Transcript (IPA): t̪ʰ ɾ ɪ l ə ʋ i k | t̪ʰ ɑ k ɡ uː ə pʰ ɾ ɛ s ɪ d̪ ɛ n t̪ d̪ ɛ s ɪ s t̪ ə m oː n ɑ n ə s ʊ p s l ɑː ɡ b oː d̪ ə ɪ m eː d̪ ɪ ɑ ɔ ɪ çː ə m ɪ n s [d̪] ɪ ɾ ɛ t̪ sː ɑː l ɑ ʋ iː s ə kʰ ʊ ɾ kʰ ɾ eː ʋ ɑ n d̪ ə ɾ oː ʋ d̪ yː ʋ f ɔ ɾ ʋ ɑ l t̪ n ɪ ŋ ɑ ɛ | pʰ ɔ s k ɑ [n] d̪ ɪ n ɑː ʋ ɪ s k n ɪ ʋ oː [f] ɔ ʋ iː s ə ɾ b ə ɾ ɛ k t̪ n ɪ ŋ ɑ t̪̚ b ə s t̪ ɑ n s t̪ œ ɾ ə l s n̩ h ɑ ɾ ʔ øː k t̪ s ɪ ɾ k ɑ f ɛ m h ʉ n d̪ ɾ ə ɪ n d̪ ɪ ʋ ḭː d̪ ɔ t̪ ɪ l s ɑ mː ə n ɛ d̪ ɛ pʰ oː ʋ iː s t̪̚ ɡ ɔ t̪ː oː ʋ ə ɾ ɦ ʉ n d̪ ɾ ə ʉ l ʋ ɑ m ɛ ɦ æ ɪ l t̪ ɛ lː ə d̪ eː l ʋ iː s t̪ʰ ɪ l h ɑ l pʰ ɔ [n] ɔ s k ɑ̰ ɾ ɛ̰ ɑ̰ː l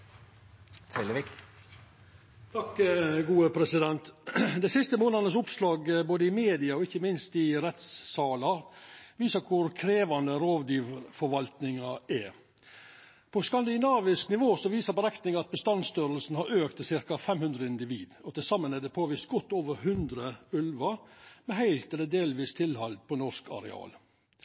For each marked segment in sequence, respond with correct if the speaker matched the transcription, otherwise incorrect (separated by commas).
incorrect, correct, incorrect, correct